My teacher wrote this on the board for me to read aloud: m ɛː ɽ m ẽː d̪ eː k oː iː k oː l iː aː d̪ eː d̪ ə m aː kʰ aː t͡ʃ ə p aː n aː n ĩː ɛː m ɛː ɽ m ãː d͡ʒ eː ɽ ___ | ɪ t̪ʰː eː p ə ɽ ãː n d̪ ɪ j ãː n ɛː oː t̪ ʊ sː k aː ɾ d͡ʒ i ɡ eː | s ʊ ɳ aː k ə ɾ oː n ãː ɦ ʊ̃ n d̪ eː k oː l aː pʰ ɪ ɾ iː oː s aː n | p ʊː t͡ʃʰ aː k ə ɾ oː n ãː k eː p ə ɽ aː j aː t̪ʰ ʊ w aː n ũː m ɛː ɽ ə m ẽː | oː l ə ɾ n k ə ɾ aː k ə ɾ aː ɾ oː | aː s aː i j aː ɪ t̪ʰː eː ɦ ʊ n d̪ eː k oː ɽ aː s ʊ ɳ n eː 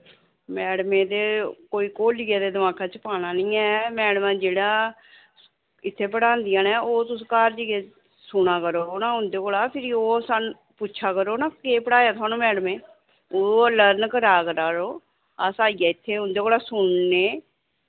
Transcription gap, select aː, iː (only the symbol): aː